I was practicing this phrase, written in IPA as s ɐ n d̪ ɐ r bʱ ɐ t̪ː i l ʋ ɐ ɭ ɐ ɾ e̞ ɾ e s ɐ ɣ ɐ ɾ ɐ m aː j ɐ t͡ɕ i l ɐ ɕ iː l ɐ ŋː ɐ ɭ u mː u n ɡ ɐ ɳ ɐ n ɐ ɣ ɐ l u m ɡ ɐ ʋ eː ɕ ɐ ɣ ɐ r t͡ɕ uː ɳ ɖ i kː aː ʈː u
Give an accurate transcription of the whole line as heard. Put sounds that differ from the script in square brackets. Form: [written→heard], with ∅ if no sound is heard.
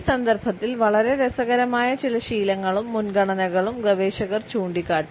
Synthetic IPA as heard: s ɐ n d̪ ɐ r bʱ ɐ t̪ː i l ʋ ɐ ɭ ɐ ɾ e̞ ɾ e s ɐ ɣ ɐ ɾ ɐ m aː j ɐ t͡ɕ i l ɐ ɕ iː l ɐ ŋː ɐ ɭ u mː u n ɡ ɐ ɳ ɐ n ɐ ɣ ɐ [l→ɭ] u m ɡ ɐ ʋ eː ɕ ɐ ɣ ɐ r t͡ɕ uː ɳ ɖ i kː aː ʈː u